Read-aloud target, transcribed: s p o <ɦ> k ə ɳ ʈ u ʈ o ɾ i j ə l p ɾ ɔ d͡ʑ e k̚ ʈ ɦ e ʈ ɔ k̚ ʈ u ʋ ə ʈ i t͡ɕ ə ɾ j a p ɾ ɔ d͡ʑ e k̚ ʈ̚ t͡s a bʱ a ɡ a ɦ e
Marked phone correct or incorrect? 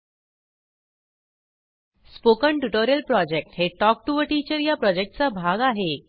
incorrect: none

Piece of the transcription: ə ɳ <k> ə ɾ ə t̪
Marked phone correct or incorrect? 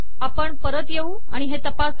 incorrect: p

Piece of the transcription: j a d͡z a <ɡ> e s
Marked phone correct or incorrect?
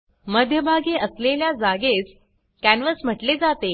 correct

